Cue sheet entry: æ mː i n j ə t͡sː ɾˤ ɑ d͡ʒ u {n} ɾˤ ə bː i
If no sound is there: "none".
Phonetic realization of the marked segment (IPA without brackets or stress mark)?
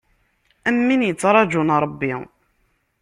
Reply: n